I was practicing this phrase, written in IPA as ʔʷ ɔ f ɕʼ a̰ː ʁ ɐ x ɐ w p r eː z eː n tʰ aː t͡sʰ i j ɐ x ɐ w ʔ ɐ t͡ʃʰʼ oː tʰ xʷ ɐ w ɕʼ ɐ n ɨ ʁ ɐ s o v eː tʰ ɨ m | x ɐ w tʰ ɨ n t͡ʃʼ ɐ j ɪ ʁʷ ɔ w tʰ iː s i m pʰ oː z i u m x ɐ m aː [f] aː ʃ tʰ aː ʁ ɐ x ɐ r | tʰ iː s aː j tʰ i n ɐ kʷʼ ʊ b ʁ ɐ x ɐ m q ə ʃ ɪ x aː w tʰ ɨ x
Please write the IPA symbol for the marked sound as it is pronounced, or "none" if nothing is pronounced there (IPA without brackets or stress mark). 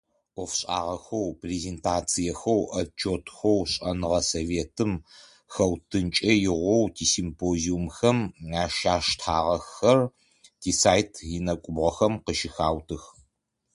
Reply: ʃ